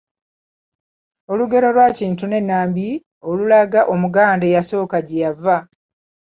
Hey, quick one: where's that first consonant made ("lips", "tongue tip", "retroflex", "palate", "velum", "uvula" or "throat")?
tongue tip